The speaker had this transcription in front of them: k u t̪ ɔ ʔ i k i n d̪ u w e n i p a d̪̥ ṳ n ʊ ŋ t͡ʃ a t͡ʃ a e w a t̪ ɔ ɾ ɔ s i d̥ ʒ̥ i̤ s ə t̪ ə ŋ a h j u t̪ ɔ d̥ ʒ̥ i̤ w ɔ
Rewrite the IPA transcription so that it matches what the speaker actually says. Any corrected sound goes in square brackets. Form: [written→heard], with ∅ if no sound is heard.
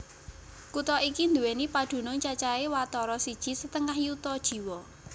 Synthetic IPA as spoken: k u t̪ ɔ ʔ i k i n d̪ u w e n i p a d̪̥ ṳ n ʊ ŋ t͡ʃ a t͡ʃ a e w a t̪ ɔ ɾ ɔ s i d̥ ʒ̥ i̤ s ə t̪ ə ŋ a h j u t̪ ɔ d̥ ʒ̥ i̤ w ɔ

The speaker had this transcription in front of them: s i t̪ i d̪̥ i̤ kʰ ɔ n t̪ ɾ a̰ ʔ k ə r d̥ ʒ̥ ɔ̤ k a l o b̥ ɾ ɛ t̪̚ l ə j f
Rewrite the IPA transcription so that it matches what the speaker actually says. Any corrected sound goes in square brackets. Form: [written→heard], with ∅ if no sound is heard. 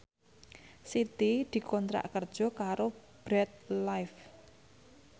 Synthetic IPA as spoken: s i t̪ i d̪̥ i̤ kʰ ɔ n t̪ ɾ a̰ ʔ k ə r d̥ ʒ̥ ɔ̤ k a [l→ɾ] o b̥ ɾ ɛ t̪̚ l [ə→a] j f

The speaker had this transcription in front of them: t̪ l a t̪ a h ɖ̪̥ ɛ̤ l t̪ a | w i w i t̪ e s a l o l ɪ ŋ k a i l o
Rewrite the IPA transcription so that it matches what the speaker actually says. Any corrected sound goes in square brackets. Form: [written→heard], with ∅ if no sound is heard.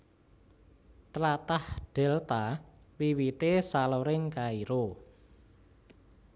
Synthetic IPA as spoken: t̪ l a t̪ a h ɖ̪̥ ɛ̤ l t̪ a | w i w i t̪ e s a l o [l→ɾ] ɪ ŋ k a i [l→ɾ] o

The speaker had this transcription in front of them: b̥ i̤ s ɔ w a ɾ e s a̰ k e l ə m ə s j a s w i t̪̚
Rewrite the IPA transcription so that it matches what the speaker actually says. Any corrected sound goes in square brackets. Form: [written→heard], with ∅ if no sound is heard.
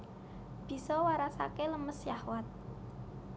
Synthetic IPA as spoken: b̥ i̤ s ɔ w a ɾ [e→a] s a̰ k e l ə m ə s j a [s→h] w [i→a] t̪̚

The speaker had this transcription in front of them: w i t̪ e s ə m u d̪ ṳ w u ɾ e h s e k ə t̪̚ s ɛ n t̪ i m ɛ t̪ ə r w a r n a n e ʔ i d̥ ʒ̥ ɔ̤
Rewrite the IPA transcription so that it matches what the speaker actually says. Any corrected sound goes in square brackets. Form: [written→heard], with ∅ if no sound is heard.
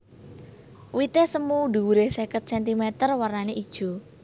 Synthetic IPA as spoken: w i t̪ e s ə m u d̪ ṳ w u ɾ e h s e k ə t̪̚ s ɛ n t̪ i m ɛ t̪ ə r w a r n a n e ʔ i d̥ ʒ̥ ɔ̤

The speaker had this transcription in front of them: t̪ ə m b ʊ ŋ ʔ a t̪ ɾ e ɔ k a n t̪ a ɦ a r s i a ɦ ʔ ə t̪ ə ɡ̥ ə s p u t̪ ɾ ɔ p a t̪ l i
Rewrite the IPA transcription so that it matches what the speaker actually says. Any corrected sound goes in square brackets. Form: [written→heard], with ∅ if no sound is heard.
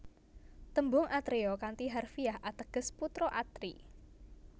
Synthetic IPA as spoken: t̪ ə m b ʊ ŋ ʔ a t̪ ɾ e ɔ k a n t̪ [a→i] ɦ a r [s→f] i a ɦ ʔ [ə→a] t̪ ə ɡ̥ ə s p u t̪ ɾ ɔ [p→ʔ] a t̪ [l→ɾ] i

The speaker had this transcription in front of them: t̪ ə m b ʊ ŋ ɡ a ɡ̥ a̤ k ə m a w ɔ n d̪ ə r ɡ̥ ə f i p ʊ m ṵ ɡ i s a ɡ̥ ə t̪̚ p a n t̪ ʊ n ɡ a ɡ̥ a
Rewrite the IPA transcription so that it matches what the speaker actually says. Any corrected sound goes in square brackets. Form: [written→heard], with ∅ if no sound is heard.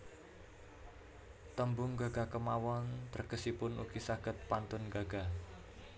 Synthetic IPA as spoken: t̪ ə m b ʊ ŋ ɡ a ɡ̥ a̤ k ə m a w ɔ n [d̪→t̪] ə r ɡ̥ ə [f→s] i p ʊ [m→n] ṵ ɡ i s a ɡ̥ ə t̪̚ p a n t̪ ʊ n ɡ a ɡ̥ a

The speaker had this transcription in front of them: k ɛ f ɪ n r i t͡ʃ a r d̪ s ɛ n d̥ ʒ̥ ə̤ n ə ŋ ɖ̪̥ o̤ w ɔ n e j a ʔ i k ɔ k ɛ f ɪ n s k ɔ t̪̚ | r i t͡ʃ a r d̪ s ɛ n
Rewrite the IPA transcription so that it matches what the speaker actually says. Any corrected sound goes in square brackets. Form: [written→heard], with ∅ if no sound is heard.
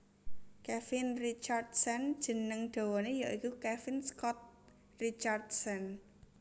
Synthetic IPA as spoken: k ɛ f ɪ n r i t͡ʃ a r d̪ s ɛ n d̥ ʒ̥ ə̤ n ə ŋ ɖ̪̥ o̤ w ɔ n e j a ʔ i k [ɔ→u] k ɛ f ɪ n s k ɔ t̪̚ | r i t͡ʃ a r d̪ s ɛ n

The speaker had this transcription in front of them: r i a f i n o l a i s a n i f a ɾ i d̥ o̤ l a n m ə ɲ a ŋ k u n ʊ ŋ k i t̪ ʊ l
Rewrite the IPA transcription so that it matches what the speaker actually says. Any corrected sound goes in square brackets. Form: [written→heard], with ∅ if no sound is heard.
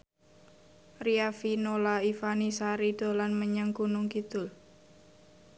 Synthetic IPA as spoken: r i a f i n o l a i [s→f] a n i [f→s] a ɾ i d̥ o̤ l a n m ə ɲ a ŋ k u n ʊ ŋ k i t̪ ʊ l

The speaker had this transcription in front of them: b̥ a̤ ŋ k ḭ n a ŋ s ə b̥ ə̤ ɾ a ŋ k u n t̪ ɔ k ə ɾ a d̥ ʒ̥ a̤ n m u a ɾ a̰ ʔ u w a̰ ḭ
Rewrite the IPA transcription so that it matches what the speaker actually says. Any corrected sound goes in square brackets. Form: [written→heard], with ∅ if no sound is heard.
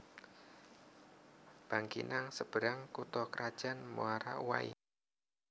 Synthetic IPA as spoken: b̥ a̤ ŋ k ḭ n a ŋ s ə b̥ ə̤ ɾ a ŋ k u [n→∅] t̪ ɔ k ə ɾ a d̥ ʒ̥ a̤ n m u a ɾ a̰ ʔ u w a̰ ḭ

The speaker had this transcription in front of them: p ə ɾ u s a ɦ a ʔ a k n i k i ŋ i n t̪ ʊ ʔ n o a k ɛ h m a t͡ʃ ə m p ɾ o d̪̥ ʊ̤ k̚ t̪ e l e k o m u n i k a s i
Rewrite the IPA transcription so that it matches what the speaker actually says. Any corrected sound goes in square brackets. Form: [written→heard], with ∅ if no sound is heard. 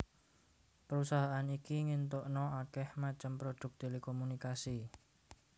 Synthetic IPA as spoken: p ə ɾ u s a ɦ a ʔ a [k→∅] n i k i ŋ i n t̪ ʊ ʔ n [o→ɔ] a k ɛ h m a t͡ʃ ə m p ɾ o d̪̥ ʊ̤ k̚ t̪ e l e k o m u n i k a s i

